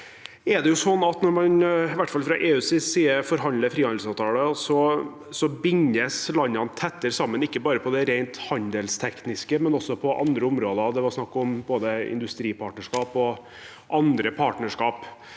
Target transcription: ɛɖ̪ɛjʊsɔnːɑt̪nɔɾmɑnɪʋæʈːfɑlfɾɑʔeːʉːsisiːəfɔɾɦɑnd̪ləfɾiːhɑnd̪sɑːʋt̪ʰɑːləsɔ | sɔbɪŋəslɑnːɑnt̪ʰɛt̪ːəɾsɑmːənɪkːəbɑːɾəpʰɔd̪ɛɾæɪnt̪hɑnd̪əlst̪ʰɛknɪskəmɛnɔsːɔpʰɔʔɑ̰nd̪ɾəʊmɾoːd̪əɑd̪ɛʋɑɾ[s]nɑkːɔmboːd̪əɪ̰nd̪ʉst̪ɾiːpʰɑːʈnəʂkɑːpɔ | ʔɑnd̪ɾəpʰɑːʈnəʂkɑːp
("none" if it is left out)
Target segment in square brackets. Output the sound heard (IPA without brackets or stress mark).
s